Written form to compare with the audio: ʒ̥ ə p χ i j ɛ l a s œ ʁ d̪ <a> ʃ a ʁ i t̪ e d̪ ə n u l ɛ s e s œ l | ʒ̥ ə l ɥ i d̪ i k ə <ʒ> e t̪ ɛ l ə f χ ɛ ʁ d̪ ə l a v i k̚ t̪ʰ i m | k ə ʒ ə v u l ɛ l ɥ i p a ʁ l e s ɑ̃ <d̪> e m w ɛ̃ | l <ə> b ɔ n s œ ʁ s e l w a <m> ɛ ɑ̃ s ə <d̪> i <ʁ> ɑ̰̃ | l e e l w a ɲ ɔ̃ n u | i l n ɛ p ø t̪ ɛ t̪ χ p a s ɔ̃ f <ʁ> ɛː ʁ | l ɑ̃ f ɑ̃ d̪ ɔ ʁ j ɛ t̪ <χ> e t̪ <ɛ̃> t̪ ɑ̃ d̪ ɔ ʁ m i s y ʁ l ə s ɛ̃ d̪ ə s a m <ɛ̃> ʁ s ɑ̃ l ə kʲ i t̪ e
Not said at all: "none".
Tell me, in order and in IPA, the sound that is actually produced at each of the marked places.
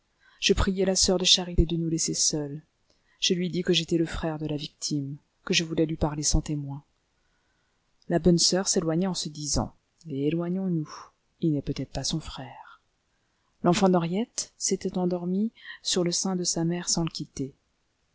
ə, ʒ, t̪, a, ɲ, d̪, z, χ, s, ɛ, ɛ

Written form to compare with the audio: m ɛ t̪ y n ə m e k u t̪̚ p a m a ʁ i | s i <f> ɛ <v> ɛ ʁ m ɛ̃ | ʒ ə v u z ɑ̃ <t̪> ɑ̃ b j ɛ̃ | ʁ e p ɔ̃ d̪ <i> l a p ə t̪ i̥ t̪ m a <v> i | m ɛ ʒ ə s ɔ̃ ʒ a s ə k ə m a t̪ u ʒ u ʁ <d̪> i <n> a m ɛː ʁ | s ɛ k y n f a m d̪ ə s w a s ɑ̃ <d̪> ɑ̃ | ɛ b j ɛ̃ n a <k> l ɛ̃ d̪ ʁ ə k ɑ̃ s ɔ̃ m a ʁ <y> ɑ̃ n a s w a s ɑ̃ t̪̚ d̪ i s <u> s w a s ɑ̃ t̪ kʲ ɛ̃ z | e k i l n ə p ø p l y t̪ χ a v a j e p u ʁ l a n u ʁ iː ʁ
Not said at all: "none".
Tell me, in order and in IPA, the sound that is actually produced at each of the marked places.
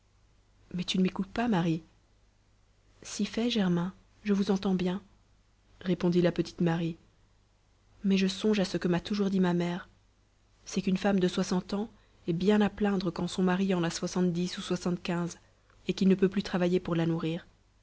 f, ʒ, t̪, i, ʁ, d̪, m, t̪, p, i, u

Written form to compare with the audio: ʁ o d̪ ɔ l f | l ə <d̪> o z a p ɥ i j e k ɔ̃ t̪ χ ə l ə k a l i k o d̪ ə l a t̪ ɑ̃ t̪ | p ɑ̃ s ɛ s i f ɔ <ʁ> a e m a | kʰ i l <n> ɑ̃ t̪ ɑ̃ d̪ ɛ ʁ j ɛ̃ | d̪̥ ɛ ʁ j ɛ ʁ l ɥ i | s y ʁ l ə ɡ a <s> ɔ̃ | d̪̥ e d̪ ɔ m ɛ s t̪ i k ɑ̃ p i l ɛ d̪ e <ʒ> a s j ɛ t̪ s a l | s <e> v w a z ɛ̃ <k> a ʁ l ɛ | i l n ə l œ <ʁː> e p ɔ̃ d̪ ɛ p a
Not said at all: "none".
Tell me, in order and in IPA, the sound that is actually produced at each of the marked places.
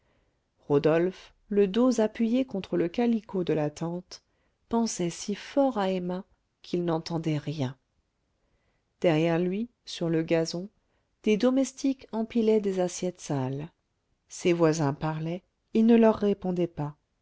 d̪, ʁ, n, z, z, e, p, ʁː

